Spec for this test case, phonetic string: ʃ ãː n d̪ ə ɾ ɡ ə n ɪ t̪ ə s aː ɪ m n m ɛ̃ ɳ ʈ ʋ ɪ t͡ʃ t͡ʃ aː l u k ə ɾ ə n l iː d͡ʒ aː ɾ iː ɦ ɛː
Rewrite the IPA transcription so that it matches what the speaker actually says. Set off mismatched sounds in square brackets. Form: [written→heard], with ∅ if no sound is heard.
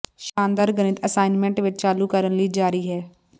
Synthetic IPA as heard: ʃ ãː n d̪ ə ɾ ɡ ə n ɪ t̪ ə s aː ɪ [m→∅] n m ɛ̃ ɳ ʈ ʋ ɪ t͡ʃ t͡ʃ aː l u k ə ɾ ə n l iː d͡ʒ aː ɾ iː ɦ ɛː